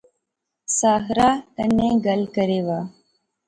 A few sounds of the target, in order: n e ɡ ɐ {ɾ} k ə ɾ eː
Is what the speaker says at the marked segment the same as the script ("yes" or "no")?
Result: no